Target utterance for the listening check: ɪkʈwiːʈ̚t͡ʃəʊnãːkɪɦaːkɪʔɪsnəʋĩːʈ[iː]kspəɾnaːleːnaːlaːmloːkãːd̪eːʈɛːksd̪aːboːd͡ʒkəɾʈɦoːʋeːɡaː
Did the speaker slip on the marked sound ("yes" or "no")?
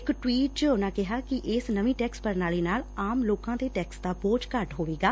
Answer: yes